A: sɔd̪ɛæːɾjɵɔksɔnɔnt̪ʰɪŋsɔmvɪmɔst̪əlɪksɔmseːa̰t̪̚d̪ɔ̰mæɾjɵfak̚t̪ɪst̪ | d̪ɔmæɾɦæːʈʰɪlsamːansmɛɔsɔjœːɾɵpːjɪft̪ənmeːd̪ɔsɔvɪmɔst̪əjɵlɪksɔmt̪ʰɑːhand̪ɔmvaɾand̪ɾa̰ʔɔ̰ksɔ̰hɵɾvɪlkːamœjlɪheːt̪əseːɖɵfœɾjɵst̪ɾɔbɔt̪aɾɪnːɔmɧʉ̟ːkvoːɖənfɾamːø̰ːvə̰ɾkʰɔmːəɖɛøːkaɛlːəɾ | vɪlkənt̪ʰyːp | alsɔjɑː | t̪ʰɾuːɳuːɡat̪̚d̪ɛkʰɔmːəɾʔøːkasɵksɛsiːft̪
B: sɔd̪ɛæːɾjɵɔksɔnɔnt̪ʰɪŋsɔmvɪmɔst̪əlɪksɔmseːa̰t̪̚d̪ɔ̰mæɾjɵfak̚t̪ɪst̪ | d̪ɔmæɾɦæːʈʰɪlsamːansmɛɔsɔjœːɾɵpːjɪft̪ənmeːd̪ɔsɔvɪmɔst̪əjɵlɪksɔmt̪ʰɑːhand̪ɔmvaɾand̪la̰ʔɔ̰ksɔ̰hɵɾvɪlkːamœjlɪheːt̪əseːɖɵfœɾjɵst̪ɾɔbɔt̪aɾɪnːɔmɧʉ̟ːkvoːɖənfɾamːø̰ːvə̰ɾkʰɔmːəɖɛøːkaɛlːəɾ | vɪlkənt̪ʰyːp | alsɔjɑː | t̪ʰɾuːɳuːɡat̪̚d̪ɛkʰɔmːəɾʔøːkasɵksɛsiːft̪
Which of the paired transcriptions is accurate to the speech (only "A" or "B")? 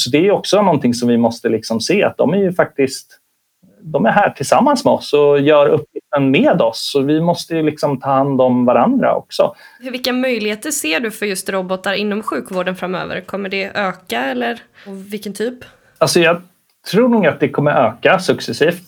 A